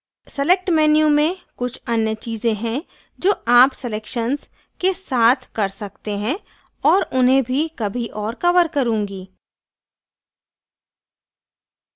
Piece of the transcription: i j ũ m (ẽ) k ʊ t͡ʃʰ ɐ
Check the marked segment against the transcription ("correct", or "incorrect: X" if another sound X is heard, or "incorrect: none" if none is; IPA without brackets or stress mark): correct